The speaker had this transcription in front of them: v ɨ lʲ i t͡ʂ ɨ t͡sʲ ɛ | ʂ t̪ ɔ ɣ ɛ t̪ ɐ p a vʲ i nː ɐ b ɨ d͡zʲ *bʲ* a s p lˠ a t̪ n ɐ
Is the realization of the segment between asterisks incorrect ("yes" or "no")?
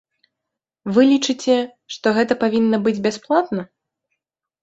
no